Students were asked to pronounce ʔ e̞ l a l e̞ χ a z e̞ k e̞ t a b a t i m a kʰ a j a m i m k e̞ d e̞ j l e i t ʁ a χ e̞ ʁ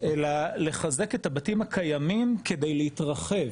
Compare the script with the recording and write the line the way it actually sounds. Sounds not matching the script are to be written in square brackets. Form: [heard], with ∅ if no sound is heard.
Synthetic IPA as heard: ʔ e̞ l a l e̞ χ a z e̞ k e̞ t a b a t i m a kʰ a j a m i m k e̞ d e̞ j l e i t ʁ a χ e̞ [v]